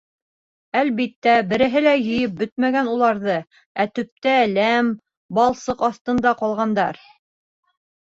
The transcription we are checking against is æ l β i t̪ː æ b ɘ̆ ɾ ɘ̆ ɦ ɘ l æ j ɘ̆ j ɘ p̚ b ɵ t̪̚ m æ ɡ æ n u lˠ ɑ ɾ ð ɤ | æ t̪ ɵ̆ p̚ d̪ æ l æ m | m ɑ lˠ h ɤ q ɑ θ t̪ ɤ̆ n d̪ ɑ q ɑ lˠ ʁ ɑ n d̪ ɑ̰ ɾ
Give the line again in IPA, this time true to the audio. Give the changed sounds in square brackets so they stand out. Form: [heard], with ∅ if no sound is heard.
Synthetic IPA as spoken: æ l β i t̪ː æ b ɘ̆ ɾ ɘ̆ ɦ ɘ l æ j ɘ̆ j ɘ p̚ b ɵ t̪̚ m æ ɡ æ n u lˠ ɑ ɾ ð ɤ | æ t̪ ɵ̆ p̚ [t̪] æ l æ m | [b] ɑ lˠ [s] ɤ q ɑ θ t̪ ɤ̆ n d̪ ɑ q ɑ lˠ ʁ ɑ n d̪ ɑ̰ ɾ